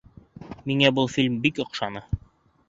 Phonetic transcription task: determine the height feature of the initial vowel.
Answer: high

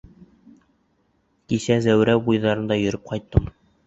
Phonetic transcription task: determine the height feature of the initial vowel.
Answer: high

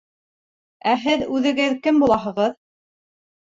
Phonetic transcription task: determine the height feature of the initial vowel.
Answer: low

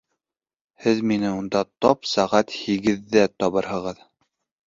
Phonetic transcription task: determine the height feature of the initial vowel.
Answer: mid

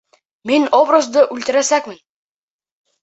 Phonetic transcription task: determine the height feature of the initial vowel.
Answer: high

